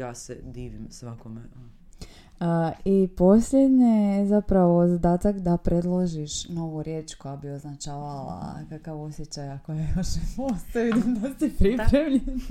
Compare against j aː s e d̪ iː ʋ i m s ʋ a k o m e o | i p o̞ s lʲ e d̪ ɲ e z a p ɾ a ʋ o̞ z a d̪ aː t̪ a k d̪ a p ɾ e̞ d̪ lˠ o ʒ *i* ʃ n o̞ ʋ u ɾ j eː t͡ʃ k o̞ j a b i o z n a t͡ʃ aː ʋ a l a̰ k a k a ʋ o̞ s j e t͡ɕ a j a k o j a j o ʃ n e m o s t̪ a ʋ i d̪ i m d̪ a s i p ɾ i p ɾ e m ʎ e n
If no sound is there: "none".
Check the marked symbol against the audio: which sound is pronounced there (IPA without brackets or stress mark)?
i